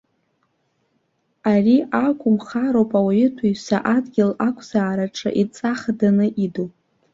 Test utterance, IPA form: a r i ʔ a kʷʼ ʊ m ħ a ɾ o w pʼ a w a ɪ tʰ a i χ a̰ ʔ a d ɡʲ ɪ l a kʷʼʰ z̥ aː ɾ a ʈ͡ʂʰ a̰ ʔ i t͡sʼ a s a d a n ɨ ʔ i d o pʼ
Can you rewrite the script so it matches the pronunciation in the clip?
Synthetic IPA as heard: a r i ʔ a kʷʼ ʊ m χ a ɾ o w pʼ a w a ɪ tʰ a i s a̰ ʔ a d ɡʲ ɪ l a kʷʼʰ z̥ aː ɾ a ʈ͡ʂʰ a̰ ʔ i t͡sʼ a χ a d a n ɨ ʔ i d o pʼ